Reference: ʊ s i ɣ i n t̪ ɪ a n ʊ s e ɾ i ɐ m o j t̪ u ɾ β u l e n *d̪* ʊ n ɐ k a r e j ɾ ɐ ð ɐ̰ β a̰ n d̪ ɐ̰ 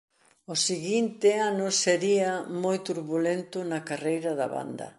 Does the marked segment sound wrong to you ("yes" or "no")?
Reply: yes